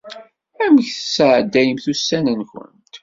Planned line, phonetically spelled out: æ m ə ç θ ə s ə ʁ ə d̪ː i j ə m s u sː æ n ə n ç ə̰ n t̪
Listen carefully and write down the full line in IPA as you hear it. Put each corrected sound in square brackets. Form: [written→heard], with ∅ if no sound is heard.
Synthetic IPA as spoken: æ m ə ç θ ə s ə [ʁ→ʕ] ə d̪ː [i→æ] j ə m [s→θ] u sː æ n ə n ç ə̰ n t̪